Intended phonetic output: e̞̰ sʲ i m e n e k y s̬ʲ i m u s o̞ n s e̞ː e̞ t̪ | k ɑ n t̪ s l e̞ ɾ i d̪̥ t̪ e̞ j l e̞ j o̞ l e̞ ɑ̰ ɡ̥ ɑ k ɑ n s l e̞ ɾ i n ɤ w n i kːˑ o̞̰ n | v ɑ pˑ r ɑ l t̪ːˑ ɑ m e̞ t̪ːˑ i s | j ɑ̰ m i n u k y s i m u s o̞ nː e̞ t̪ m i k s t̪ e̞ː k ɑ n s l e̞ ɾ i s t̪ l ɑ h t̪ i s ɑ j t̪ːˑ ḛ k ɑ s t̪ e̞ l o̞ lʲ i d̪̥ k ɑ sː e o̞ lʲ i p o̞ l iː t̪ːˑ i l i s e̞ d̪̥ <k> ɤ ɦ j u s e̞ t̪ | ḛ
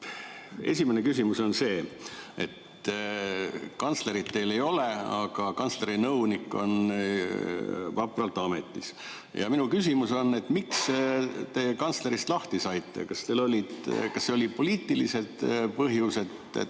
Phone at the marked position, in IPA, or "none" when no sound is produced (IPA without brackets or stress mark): p